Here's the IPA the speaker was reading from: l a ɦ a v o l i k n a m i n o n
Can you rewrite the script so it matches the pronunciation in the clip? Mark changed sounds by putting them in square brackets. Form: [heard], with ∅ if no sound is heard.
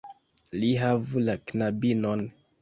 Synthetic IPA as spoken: l [i] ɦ a v [u] l [a] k n a [b] i n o n